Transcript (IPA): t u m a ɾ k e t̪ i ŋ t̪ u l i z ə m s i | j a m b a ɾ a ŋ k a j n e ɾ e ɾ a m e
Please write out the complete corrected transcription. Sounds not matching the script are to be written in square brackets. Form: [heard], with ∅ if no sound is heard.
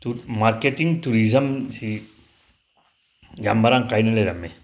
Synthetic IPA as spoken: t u m a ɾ k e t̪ i ŋ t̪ u [ɾ] i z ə m s i | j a m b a ɾ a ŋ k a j n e [l] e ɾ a m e